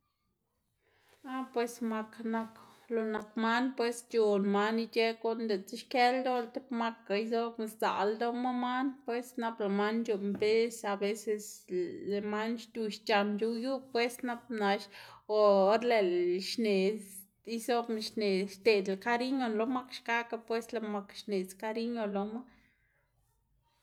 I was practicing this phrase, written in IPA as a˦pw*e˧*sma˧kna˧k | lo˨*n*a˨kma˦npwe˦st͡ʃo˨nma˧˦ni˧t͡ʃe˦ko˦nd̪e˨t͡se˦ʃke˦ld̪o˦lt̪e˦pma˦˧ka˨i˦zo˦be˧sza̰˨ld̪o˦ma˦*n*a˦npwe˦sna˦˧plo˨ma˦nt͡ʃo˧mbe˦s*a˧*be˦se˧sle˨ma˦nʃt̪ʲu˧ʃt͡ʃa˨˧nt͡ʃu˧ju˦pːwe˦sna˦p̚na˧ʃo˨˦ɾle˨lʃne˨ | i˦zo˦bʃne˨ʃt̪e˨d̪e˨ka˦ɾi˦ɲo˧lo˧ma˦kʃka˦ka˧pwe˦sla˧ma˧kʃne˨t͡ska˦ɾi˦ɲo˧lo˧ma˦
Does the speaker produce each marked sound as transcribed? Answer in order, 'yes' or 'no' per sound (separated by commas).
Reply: yes, yes, no, yes